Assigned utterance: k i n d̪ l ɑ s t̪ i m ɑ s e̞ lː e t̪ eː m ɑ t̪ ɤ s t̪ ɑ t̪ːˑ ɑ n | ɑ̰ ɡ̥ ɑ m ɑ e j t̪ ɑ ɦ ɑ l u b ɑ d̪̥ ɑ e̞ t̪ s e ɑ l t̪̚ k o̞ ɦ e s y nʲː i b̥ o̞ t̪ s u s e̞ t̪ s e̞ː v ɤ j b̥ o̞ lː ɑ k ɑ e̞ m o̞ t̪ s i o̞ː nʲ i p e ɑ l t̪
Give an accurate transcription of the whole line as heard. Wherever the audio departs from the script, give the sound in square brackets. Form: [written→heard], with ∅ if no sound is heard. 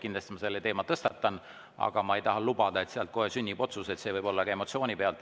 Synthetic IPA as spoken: k i n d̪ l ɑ s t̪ i m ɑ s e̞ lː e t̪ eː m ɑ t̪ ɤ s t̪ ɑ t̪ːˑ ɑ n | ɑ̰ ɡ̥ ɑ m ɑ e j t̪ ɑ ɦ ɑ l u b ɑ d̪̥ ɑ e̞ t̪ s e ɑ l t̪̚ k o̞ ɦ e s y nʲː i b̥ o̞ t̪ s u s e̞ t̪ s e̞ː v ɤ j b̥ o̞ lː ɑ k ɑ e̞ m o̞ t̪ s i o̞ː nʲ i p e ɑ l t̪